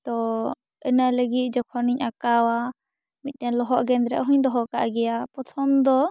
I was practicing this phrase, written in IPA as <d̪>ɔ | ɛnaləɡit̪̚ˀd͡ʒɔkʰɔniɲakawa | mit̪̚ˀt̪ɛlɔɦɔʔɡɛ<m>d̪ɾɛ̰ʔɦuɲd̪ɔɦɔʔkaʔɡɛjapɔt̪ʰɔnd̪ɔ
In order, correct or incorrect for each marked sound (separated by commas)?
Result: incorrect, incorrect